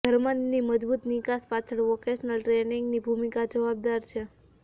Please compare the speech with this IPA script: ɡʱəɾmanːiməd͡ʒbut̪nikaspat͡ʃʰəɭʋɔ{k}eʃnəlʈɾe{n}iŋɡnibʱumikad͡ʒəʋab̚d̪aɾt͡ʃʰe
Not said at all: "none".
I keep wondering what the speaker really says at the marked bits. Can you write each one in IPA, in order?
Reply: k, n

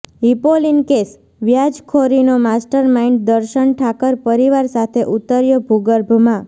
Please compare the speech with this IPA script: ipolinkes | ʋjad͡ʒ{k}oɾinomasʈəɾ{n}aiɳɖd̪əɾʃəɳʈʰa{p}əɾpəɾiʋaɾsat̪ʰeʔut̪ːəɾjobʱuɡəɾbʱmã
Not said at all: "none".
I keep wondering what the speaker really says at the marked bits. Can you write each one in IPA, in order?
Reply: kʰ, m, k

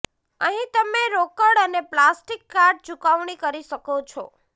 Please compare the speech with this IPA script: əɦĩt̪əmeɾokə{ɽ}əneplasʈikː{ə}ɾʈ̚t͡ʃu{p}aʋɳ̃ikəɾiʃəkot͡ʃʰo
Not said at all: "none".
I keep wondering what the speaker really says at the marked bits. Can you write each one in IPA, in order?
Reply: ɽ, a, k

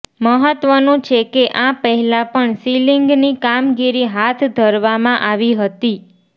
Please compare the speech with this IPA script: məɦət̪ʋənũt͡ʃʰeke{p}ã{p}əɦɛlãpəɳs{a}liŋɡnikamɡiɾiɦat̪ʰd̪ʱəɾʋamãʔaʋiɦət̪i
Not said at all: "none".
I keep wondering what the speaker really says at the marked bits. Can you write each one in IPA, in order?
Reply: ʔ, p, i

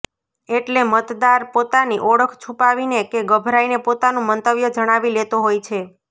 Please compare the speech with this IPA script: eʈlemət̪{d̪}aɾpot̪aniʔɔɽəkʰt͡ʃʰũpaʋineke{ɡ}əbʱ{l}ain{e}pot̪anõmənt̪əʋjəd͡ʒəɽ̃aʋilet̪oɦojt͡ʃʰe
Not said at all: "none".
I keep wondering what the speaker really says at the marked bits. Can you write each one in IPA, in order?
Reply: d̪, ɡ, ɾ, e

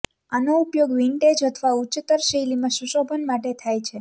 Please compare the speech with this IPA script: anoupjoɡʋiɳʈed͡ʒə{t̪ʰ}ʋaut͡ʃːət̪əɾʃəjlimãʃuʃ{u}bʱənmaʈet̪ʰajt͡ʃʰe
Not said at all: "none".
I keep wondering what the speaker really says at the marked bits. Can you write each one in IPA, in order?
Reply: t̪ʰ, o

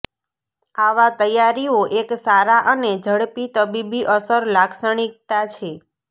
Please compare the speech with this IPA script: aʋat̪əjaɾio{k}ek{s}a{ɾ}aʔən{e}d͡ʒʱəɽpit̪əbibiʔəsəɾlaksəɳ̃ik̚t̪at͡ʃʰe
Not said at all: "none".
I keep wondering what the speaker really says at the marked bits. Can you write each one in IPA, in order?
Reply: ʔ, s, ɾ, e

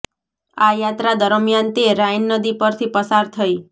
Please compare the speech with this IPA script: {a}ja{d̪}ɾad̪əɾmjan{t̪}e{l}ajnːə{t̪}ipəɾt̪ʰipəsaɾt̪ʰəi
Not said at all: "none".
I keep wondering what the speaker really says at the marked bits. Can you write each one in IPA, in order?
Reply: a, t̪, t̪, ɾ, d̪

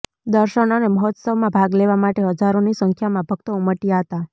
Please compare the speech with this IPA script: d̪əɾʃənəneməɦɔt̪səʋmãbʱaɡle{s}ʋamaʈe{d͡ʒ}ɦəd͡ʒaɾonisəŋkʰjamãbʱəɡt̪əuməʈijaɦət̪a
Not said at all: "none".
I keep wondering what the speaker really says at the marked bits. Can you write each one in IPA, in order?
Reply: none, none

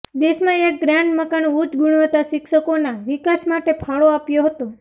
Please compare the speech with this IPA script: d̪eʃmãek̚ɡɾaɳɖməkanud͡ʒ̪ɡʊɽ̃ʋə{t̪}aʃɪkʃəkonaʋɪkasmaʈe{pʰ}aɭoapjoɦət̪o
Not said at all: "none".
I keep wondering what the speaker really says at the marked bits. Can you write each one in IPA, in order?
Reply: t̪, pʰ

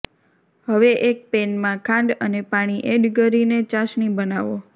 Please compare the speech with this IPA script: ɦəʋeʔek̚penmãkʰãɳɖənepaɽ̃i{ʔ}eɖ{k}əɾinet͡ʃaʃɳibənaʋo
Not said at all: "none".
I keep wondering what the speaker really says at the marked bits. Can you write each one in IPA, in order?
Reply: ʔ, ɡ

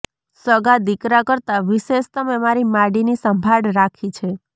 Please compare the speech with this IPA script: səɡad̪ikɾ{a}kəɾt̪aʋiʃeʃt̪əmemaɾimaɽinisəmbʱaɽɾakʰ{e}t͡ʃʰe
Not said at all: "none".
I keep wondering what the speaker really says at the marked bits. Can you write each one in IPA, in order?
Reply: a, i

